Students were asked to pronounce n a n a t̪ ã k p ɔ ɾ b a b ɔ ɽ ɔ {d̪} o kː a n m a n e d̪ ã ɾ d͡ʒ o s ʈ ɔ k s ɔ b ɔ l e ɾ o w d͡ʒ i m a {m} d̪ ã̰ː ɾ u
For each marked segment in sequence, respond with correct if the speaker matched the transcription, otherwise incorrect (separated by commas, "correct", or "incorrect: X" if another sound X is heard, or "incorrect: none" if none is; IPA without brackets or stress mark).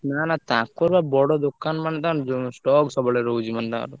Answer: correct, incorrect: n